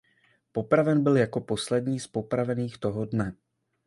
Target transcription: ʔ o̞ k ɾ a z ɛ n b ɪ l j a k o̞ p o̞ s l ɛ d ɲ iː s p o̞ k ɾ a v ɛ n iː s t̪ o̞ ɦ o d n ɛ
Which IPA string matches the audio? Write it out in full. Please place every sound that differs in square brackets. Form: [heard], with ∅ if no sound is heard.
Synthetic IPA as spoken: [p] o̞ [p] ɾ a [v] ɛ n b ɪ l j a k o̞ p o̞ s l ɛ d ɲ iː s p o̞ [p] ɾ a v ɛ n iː [x] t̪ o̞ ɦ o d n ɛ